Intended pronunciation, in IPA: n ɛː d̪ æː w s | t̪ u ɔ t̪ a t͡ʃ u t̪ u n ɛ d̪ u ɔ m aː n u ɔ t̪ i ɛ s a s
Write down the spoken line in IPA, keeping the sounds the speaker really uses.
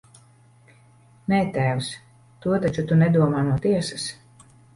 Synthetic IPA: n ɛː t̪ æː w s | t̪ u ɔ t̪ a t͡ʃ u t̪ u n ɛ d̪ u ɔ m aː n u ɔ t̪ i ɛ s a s

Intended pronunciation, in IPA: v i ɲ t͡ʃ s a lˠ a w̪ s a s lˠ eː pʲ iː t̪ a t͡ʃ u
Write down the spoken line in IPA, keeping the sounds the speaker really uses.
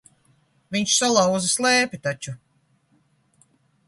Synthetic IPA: v i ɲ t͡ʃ s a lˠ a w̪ z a s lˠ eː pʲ i t̪ a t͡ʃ u

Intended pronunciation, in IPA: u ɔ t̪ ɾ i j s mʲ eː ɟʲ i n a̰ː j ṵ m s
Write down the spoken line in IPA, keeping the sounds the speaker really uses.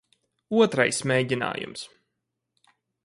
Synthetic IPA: u ɔ t̪ ɾ a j s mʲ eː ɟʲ i n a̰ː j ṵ m s

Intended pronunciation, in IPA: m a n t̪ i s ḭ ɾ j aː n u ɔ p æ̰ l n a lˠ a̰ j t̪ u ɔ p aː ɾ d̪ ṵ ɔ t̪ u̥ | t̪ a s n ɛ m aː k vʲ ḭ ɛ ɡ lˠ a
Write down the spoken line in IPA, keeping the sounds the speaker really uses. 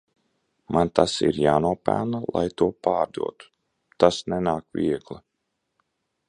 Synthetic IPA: m a n t̪ a s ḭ ɾ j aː n u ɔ p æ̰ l n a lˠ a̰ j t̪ u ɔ p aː ɾ d̪ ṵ ɔ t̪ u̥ | t̪ a s n ɛ n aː k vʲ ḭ ɛ ɡ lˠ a

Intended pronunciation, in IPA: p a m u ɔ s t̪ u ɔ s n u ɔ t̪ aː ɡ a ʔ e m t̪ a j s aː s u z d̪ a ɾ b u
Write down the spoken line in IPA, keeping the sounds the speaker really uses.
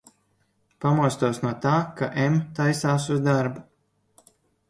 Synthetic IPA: p a m u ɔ s t̪ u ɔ s n u ɔ t̪ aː k a ʔ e m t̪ a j s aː s u z d̪ a ɾ b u

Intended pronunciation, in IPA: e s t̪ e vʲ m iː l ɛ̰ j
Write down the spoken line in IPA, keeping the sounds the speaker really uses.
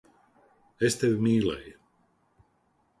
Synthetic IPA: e s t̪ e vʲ m iː l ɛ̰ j

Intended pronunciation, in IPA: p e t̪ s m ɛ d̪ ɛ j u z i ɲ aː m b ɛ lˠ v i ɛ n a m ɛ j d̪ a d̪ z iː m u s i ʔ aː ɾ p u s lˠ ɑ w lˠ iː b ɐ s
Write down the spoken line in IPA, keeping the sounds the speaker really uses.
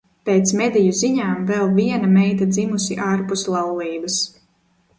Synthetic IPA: p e t̪ s m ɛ d̪ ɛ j u z i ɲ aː m v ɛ lˠ v i ɛ n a m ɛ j t̪ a d̪ z i m u s i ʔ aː ɾ p u s lˠ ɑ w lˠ iː b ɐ s

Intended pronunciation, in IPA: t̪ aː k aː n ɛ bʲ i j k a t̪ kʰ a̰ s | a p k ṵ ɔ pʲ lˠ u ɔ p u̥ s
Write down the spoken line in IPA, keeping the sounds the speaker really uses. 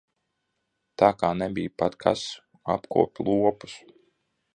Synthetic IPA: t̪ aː k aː n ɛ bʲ i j p a t̪ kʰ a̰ s | a p k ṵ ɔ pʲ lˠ u ɔ p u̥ s

